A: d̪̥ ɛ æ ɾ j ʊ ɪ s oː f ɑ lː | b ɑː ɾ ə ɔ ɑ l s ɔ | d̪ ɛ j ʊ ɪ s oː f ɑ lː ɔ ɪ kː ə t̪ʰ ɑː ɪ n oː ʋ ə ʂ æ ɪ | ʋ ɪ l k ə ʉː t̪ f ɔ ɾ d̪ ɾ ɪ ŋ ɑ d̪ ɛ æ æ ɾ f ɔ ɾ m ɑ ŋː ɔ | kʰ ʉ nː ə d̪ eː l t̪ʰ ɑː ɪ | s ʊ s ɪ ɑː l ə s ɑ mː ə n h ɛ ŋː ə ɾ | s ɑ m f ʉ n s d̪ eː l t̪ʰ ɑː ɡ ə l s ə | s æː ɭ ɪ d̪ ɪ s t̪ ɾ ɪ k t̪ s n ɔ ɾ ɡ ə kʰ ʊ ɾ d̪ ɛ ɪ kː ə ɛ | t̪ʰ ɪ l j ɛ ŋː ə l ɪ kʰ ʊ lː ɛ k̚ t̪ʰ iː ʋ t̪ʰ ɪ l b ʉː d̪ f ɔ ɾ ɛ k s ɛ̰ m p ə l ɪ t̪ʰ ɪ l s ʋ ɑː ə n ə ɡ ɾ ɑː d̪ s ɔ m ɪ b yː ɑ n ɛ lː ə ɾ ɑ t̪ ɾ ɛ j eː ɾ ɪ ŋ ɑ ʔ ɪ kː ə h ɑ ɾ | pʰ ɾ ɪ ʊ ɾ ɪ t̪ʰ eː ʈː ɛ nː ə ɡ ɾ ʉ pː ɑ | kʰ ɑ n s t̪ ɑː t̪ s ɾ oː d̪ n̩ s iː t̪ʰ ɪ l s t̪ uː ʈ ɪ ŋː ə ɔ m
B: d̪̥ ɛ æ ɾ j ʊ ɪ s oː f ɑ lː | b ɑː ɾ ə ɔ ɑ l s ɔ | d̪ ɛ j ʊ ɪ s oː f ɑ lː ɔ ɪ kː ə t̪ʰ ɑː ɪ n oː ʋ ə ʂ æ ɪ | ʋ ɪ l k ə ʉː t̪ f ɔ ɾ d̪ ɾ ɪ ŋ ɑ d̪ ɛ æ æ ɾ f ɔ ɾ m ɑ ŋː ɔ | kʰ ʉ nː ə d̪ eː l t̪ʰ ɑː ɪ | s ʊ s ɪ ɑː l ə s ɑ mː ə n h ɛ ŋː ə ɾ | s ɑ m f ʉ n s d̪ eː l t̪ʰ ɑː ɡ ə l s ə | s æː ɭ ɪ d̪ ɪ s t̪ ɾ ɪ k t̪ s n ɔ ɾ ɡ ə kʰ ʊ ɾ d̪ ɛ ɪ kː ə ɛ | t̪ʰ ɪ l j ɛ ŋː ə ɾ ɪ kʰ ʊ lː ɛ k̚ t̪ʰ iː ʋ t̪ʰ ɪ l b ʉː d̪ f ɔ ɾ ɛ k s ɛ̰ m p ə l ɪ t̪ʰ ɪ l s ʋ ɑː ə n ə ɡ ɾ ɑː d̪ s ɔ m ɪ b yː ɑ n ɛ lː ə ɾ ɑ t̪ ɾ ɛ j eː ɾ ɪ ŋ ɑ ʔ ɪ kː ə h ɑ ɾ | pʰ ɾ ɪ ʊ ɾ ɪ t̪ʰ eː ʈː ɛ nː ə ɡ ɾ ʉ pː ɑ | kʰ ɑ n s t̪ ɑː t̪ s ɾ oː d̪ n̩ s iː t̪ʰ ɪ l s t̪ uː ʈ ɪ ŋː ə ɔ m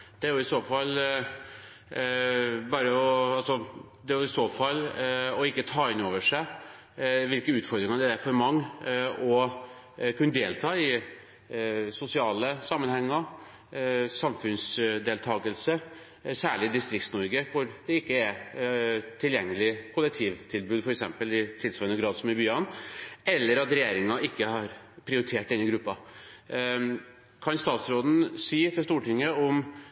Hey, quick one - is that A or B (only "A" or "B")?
A